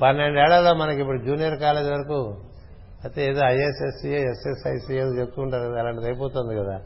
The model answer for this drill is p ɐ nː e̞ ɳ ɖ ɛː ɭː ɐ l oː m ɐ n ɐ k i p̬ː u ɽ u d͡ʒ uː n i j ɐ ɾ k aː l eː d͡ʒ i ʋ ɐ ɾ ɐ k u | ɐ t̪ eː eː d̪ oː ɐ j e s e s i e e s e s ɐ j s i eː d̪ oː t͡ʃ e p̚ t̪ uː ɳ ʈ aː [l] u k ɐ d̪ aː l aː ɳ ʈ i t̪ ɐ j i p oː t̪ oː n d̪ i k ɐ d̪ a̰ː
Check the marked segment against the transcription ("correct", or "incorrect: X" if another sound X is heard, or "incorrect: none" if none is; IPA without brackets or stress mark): incorrect: ɾ